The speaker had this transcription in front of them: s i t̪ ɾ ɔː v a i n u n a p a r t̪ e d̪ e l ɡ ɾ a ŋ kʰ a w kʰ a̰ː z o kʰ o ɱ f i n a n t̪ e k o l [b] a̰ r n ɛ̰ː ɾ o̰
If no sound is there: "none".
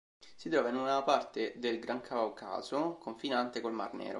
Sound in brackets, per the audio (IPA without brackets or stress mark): m